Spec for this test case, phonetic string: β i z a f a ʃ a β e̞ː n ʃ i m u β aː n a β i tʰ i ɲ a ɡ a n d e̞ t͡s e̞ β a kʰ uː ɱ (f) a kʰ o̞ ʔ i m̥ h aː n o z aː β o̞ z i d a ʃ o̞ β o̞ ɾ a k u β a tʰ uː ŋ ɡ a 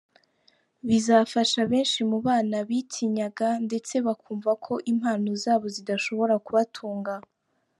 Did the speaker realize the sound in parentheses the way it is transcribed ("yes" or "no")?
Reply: no